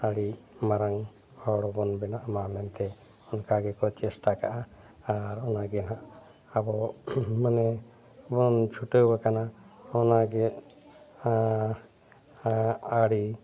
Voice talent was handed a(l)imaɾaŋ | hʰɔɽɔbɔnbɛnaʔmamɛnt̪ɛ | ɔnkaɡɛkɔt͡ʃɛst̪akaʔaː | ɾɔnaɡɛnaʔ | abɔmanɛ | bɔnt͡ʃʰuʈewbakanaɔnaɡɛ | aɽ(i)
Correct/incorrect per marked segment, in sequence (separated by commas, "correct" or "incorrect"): incorrect, correct